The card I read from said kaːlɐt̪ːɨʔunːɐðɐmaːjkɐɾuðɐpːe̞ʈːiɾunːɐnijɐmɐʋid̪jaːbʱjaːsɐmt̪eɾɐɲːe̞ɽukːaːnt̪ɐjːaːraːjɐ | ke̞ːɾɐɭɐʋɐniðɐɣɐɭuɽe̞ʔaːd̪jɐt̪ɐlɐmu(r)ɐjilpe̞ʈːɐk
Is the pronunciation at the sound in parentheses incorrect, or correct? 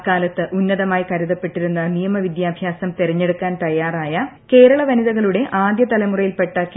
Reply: correct